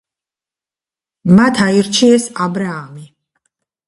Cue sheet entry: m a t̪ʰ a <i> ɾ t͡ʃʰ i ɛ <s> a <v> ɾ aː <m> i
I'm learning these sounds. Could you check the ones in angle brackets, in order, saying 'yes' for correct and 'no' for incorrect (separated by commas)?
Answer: yes, yes, no, yes